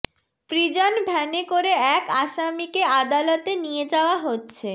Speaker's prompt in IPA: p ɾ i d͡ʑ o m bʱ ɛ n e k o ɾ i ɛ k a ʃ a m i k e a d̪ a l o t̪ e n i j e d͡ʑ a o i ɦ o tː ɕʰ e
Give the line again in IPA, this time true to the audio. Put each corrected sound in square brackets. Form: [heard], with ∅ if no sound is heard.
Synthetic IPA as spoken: p ɾ i d͡ʑ o [n] bʱ ɛ n e k o ɾ [e] ɛ k a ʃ a m i k e a d̪ a l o t̪ e n i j e d͡ʑ a o [a] ɦ o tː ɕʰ e